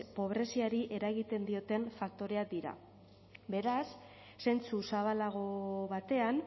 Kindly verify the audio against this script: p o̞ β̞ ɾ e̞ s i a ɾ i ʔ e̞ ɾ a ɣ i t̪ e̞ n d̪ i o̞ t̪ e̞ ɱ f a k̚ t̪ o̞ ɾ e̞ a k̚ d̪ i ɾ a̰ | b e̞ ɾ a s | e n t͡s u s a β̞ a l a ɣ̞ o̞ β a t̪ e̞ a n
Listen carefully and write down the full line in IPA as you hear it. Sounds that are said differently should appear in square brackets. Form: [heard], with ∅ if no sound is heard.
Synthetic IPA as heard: p o̞ β̞ ɾ e̞ s i a ɾ i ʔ e̞ ɾ a ɣ i t̪ e̞ n d̪ i o̞ t̪ e̞ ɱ f a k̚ t̪ o̞ ɾ e̞ a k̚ d̪ i ɾ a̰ | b e̞ ɾ a [sː] | e n t͡s u s a β̞ a l a ɣ̞ o̞ β a t̪ e̞ a n